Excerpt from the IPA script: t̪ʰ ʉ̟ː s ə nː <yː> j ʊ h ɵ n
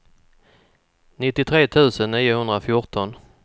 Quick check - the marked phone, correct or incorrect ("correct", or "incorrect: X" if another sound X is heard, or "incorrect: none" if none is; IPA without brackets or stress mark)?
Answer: incorrect: iː